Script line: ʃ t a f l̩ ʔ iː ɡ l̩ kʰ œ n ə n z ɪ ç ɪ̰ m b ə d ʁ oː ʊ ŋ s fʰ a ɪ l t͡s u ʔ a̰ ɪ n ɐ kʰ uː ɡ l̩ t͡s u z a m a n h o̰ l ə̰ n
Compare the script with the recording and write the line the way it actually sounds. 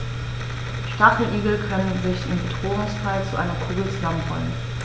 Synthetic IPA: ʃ t a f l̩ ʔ iː ɡ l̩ kʰ œ n ə n z ɪ ç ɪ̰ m b ə d ʁ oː ʊ ŋ s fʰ a ɪ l t͡s u ʔ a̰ ɪ n ɐ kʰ uː ɡ l̩ t͡s u z a m ə n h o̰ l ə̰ n